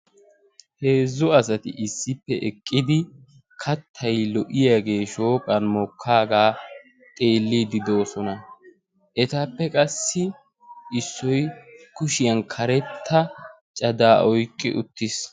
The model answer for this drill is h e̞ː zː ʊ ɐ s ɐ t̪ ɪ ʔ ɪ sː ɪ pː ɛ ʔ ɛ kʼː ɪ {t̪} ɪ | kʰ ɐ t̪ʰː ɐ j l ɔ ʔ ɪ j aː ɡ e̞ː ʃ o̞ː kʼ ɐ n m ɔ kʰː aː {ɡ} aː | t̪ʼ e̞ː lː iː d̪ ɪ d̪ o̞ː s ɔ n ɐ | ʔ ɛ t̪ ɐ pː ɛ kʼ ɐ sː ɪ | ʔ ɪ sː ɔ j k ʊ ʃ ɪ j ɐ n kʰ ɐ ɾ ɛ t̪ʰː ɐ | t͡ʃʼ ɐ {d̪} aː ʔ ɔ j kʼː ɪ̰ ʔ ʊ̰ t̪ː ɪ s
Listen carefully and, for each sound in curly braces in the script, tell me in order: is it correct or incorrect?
incorrect, correct, correct

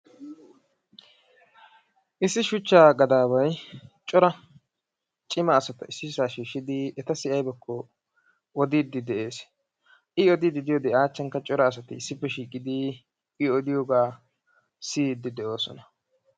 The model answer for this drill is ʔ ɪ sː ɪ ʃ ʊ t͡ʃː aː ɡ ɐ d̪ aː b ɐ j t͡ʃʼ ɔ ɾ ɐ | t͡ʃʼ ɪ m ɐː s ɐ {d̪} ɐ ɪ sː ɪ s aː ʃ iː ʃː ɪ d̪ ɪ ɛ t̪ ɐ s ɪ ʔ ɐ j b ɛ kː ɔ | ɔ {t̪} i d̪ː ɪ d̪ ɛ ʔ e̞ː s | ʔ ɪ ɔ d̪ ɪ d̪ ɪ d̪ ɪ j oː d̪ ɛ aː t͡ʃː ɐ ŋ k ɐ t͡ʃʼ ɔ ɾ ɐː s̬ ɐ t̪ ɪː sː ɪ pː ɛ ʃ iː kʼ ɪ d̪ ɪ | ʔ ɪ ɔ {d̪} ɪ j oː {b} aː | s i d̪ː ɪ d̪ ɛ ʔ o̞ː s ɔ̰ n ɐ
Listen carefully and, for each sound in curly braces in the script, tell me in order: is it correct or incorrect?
incorrect, incorrect, correct, incorrect

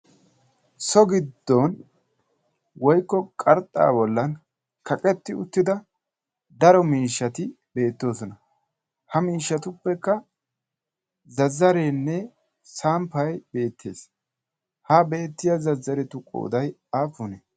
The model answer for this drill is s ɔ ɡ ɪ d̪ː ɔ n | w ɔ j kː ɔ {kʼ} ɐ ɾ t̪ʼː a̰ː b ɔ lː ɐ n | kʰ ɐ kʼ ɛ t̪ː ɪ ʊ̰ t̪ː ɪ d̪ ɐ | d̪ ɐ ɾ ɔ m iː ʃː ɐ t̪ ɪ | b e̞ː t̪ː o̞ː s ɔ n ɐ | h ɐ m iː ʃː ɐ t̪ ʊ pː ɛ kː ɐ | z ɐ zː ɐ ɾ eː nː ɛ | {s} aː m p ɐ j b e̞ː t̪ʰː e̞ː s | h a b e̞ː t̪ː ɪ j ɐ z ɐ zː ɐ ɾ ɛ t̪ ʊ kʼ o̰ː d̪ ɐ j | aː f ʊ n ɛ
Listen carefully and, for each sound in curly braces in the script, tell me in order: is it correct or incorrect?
correct, correct

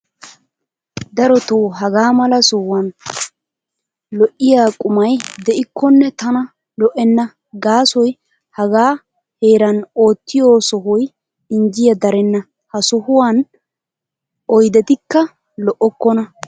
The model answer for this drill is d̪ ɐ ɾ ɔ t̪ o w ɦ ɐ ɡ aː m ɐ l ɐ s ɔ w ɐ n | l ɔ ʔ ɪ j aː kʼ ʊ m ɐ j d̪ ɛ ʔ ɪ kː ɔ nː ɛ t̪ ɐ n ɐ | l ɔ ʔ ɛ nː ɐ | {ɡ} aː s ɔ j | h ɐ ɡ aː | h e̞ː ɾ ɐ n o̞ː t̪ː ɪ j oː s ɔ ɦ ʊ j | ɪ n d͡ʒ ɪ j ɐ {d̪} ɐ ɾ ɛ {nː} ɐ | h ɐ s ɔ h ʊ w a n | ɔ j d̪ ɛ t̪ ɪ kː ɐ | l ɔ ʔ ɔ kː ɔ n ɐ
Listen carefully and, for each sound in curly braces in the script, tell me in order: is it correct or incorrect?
correct, correct, correct

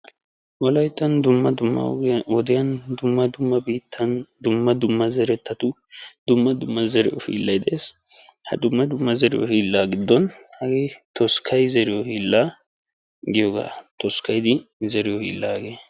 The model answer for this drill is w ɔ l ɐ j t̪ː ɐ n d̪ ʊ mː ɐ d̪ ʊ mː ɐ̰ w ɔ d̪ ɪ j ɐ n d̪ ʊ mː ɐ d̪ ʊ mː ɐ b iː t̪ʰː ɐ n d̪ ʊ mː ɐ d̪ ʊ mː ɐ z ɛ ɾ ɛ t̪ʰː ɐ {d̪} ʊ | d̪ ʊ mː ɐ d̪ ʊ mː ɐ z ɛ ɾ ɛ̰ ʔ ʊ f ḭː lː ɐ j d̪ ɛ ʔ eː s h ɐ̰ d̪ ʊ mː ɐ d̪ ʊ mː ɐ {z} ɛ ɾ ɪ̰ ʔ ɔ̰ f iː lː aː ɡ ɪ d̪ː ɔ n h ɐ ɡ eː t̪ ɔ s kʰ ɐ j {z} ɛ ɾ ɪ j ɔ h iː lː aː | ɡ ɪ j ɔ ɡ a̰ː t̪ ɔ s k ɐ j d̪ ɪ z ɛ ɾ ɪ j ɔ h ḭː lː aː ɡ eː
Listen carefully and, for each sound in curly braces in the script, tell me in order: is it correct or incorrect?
incorrect, correct, correct

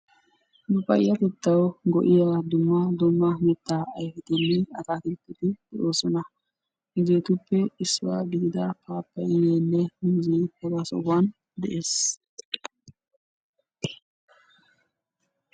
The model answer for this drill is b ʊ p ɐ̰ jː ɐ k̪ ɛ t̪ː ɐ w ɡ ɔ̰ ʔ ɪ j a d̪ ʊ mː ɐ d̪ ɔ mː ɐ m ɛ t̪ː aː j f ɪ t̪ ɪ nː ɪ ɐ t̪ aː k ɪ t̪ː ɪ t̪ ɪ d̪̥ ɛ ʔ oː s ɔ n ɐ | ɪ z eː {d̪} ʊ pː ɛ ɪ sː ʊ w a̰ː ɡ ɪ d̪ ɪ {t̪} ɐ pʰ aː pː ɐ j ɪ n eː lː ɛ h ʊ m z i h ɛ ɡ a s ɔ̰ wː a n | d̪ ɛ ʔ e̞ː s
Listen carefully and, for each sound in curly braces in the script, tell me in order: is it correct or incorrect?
incorrect, incorrect

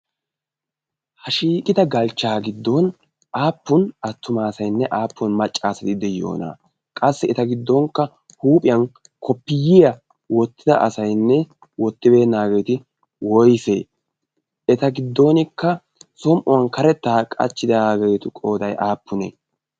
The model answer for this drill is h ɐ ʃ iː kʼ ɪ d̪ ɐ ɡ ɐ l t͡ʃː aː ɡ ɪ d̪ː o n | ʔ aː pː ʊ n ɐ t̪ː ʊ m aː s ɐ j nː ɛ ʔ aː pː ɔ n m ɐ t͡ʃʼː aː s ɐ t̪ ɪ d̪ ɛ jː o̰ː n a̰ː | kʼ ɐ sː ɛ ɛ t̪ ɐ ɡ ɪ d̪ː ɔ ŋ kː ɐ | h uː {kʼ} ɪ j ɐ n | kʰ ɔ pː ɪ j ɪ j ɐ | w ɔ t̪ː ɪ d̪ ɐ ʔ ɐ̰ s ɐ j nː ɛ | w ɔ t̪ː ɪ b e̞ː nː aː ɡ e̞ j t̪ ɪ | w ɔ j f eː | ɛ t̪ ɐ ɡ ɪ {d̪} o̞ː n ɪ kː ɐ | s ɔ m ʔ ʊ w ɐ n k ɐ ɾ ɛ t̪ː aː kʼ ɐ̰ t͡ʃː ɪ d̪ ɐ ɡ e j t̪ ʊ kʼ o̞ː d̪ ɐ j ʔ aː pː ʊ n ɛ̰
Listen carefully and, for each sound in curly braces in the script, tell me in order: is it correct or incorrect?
incorrect, incorrect

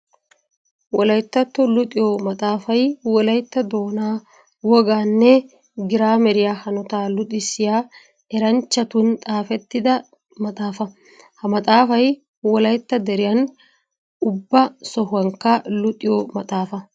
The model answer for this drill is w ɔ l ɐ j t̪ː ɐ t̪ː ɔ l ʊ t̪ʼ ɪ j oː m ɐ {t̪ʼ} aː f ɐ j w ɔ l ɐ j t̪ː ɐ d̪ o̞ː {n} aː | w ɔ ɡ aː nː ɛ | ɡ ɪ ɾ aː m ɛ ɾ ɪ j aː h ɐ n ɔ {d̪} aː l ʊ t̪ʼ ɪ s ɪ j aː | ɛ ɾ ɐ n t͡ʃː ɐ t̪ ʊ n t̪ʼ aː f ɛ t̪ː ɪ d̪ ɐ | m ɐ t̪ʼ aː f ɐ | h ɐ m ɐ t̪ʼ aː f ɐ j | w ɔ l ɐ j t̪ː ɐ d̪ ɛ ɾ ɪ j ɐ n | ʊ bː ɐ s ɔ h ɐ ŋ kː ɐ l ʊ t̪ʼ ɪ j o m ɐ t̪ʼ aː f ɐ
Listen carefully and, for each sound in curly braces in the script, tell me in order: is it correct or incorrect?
correct, correct, incorrect

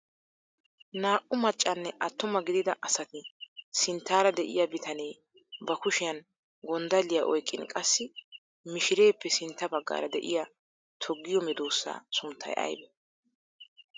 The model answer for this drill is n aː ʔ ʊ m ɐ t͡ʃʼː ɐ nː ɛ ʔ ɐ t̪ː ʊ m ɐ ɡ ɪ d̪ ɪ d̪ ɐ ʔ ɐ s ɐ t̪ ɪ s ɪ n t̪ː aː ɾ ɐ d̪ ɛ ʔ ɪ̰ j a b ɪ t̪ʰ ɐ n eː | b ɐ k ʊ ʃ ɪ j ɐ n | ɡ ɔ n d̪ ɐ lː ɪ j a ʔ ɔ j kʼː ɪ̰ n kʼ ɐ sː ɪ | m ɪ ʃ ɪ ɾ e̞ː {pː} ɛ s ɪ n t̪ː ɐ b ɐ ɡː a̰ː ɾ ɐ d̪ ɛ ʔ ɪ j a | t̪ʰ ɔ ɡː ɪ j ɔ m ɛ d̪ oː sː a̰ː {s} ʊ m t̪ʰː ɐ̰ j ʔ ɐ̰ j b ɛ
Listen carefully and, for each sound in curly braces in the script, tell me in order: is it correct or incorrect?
correct, correct

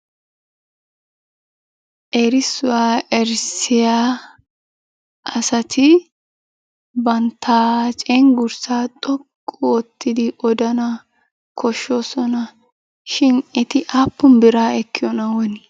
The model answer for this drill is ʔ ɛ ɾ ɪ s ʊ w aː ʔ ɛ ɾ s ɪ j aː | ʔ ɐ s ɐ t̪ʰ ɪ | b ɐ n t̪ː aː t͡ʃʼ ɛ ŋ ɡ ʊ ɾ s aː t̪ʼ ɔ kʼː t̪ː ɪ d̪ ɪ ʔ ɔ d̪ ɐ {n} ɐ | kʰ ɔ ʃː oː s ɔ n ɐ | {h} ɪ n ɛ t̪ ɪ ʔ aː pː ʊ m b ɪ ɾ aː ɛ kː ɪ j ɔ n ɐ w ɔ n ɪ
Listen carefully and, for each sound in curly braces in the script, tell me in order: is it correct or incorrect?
correct, incorrect

